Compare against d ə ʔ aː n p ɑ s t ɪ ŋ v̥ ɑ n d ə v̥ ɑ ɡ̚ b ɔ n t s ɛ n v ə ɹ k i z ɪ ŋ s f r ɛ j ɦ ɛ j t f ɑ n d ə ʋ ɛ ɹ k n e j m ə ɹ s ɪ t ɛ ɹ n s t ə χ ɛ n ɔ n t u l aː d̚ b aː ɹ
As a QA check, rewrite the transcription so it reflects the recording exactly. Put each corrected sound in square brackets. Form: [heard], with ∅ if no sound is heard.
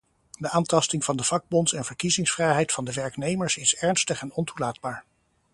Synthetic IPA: d ə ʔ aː n [t] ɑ s t ɪ ŋ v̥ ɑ n d ə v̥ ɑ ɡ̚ b ɔ n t s ɛ n v ə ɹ k i z ɪ ŋ s f r ɛ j ɦ ɛ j t f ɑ n d ə ʋ ɛ ɹ k n e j m ə ɹ s ɪ [s] ɛ ɹ n s t ə χ ɛ n ɔ n t u l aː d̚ b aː ɹ